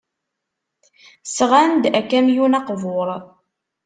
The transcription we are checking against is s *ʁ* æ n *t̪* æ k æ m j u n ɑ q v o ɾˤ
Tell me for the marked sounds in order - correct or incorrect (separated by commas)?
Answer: correct, incorrect